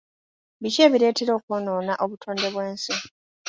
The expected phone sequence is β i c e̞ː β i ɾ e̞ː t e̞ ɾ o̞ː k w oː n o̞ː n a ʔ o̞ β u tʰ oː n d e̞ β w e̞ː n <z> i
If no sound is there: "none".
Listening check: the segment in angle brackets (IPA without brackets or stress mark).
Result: s